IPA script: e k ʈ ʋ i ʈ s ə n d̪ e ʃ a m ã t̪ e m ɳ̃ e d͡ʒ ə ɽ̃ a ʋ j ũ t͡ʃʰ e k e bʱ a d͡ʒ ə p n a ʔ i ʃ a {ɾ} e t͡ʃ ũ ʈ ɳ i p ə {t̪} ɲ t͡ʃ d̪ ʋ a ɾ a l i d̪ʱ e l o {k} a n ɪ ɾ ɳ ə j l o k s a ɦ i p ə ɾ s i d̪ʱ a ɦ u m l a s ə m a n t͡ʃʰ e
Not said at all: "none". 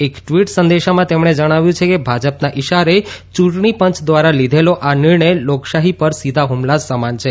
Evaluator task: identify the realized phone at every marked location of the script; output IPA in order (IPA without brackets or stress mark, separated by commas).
ɾ, none, ʔ